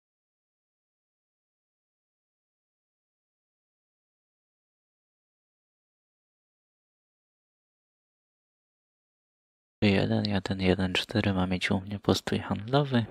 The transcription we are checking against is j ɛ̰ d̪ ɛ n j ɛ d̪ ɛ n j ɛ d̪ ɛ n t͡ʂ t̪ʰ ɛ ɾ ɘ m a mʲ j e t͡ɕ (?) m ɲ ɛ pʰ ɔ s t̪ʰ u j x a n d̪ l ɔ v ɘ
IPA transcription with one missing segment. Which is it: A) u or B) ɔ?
A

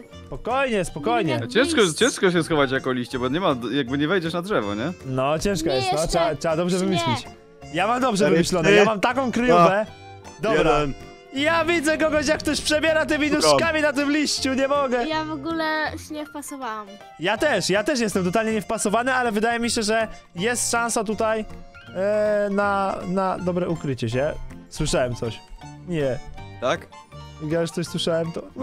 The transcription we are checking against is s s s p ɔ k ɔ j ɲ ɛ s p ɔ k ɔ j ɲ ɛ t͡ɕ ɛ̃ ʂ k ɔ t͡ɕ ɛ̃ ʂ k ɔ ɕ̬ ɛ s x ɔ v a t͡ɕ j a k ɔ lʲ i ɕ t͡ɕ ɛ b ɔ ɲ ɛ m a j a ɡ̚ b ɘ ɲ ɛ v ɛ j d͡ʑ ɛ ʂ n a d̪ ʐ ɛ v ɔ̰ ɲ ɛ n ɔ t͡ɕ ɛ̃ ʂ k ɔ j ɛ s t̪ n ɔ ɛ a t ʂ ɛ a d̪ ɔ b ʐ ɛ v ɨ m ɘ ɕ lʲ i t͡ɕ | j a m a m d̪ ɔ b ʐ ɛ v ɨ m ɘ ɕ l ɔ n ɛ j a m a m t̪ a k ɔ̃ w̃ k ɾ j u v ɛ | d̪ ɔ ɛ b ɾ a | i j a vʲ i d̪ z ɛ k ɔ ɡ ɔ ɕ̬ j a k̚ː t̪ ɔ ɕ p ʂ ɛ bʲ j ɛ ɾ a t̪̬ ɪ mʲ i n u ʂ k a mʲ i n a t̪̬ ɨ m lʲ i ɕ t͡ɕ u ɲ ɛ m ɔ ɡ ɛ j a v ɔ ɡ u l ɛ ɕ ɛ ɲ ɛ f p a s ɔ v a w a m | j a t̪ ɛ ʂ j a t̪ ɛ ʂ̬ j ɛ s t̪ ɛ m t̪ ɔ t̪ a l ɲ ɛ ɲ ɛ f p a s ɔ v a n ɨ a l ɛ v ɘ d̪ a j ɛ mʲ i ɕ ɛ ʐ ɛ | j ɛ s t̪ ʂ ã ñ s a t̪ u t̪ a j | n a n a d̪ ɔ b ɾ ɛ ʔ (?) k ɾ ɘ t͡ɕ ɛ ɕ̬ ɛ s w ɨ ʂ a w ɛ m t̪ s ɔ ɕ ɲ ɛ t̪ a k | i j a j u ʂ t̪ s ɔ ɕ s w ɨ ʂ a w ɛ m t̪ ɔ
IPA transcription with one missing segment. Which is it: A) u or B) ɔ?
A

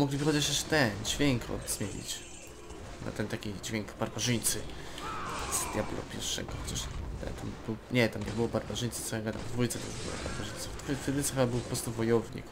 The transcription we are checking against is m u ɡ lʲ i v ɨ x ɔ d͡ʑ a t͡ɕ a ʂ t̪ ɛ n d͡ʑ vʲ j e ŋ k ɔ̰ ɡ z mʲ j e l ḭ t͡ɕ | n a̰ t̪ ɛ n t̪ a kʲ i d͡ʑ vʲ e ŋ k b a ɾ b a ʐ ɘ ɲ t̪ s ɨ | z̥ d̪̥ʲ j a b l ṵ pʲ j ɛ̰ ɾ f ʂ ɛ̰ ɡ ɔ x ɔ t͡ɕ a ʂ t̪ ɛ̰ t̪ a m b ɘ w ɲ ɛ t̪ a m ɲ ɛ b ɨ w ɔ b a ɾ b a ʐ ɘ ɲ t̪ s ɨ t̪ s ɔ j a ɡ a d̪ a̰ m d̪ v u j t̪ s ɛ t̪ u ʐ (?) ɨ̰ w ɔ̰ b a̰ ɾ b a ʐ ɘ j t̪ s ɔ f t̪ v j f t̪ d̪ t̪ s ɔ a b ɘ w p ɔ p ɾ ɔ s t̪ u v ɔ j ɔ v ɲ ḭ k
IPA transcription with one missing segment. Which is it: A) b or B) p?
A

